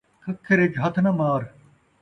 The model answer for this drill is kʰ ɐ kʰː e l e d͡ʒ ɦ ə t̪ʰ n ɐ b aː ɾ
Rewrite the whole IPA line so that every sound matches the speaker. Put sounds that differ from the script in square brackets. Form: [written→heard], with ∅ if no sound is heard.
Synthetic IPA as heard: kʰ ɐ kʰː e [l→ɾ] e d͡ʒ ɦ [ə→ɐ] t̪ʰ n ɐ [b→m] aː ɾ